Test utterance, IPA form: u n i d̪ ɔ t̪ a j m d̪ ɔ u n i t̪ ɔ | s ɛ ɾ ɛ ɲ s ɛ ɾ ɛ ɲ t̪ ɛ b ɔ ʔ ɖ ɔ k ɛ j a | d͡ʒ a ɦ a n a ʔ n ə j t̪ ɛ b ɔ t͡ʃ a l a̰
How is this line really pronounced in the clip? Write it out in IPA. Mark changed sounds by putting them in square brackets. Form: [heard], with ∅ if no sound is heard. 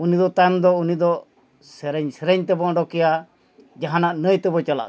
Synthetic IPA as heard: u n i d̪ ɔ t̪ a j m d̪ ɔ u n i [d̪] ɔ | s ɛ ɾ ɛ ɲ s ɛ ɾ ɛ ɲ t̪ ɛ b ɔ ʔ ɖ ɔ k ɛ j a | d͡ʒ a ɦ a n a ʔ n ə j t̪ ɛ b ɔ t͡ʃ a l a̰